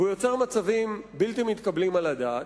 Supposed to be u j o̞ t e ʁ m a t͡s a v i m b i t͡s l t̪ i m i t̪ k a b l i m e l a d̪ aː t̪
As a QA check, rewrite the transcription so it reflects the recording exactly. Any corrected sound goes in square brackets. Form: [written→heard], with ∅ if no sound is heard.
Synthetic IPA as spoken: u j o̞ [t→t͡s] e ʁ m a t͡s a v i m b i [t͡s→∅] l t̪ i m i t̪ k a b l i m [e→a] l a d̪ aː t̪